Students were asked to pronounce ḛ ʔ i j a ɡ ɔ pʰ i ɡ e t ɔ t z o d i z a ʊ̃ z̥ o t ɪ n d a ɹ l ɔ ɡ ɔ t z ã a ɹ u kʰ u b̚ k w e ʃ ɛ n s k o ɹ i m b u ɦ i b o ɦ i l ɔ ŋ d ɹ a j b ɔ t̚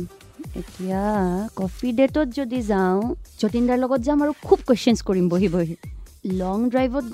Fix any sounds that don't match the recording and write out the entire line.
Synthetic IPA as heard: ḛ t i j a k ɔ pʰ i d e t ɔ t z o d i z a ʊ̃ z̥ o t i n d a ɹ l ɔ ɡ ɔ t z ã a ɹ u kʰ u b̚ k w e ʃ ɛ n s k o ɹ i m b o ɦ i b o ɦ i l ɔ ŋ d ɹ a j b ɔ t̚